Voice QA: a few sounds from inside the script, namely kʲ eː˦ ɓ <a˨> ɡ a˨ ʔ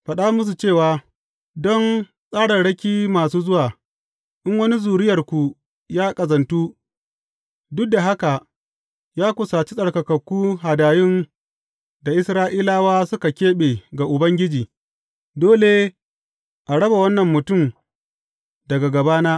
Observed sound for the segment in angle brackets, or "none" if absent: e˨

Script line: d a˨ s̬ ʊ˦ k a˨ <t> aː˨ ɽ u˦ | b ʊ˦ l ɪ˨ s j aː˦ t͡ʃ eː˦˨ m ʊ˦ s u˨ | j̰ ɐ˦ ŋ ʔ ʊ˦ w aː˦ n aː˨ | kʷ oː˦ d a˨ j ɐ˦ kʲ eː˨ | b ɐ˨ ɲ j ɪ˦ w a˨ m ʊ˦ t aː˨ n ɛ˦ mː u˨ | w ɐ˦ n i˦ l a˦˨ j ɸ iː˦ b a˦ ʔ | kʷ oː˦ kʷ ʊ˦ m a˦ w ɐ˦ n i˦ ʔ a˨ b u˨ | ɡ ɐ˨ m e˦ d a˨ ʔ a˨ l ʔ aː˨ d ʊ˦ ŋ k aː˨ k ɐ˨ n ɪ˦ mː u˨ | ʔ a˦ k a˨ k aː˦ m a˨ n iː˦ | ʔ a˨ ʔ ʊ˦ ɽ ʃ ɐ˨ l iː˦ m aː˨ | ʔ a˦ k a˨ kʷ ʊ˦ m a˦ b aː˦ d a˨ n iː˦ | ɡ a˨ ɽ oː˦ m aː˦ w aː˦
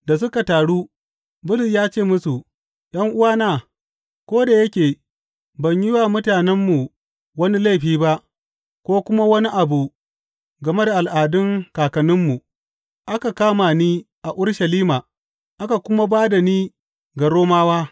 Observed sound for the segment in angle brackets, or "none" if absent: t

